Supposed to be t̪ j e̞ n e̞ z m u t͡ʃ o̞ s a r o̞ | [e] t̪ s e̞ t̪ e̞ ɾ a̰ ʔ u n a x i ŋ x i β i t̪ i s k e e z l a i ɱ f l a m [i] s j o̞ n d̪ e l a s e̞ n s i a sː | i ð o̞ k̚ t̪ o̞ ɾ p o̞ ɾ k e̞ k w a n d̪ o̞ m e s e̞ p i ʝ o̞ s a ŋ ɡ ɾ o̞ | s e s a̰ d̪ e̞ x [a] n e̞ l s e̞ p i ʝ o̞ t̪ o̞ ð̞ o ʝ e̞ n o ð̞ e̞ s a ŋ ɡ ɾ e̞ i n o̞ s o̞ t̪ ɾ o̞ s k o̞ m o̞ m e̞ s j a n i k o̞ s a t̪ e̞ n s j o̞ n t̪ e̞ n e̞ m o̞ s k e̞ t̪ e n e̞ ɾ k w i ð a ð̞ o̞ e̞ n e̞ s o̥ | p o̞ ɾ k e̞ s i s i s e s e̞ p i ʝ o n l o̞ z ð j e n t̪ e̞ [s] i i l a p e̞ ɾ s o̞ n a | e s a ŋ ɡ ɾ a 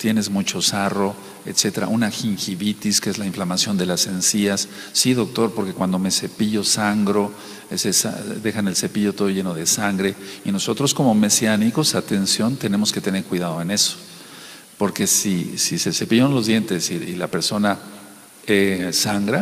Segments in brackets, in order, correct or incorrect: correct, incorrect, correct, correct

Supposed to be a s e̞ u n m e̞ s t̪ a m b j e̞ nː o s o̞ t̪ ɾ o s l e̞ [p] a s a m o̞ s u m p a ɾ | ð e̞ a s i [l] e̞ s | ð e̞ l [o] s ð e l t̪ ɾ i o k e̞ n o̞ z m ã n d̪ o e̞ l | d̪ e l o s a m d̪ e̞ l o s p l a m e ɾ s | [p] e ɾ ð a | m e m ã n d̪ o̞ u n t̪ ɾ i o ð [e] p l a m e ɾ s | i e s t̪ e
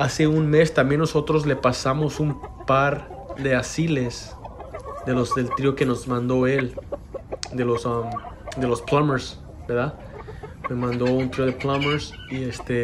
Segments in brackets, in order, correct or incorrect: correct, correct, correct, incorrect, correct

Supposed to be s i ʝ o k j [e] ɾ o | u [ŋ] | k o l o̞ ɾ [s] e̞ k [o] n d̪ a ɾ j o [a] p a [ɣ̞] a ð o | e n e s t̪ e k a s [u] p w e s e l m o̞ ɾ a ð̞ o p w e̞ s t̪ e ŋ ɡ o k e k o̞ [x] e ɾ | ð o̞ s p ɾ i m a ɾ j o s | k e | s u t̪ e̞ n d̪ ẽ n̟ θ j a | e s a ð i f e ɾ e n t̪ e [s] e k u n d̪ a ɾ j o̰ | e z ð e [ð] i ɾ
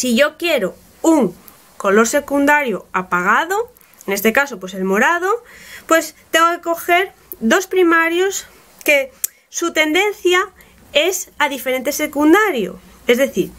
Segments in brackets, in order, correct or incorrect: correct, correct, correct, incorrect, correct, correct, incorrect, correct, correct, incorrect

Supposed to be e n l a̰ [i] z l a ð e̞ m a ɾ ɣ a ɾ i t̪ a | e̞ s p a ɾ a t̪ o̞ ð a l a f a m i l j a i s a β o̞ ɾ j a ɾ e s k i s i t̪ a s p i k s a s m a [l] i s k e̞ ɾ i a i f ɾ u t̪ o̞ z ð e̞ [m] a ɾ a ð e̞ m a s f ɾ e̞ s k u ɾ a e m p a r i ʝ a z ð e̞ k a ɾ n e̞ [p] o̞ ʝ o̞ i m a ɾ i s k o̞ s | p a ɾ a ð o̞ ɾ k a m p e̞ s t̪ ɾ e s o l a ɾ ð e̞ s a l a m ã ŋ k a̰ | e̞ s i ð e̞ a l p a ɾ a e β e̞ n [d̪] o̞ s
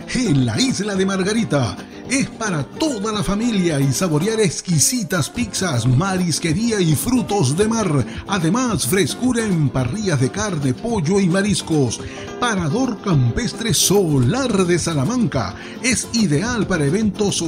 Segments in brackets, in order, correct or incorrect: correct, incorrect, correct, correct, incorrect

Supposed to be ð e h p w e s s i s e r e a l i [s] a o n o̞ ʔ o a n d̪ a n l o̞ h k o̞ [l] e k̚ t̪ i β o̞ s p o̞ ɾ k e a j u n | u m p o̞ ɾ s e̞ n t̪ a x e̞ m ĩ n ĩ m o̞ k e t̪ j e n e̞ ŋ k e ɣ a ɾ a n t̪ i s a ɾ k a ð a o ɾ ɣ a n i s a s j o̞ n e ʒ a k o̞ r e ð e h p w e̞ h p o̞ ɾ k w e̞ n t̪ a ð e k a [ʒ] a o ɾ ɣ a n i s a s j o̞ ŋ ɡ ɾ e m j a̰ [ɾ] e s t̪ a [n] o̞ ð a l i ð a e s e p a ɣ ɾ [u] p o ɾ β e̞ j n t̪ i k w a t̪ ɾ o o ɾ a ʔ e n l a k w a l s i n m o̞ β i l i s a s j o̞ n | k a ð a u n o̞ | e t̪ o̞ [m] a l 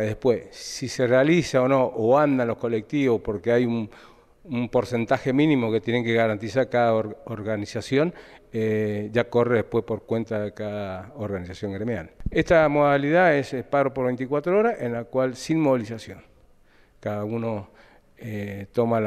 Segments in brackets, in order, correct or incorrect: correct, correct, incorrect, incorrect, incorrect, incorrect, correct

